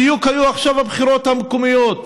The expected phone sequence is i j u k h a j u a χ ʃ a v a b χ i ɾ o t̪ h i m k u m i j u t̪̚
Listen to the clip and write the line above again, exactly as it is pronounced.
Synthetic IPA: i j u k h a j u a χ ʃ a v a b χ i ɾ o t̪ h a m k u m i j o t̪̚